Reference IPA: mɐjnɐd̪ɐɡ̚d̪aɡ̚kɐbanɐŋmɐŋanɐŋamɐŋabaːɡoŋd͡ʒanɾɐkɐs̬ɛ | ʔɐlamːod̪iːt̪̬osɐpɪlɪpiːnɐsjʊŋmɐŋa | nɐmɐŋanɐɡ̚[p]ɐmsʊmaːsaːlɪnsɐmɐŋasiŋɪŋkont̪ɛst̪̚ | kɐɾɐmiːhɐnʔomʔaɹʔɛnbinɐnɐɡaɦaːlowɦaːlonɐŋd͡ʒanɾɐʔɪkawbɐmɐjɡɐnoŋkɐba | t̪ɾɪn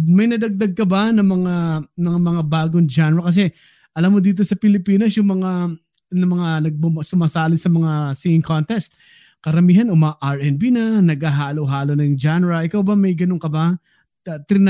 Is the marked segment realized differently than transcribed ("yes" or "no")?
yes